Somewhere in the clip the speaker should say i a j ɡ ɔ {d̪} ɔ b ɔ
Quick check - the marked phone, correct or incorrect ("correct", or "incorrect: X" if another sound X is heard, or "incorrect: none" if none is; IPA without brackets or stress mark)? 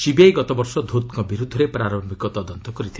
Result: incorrect: t̪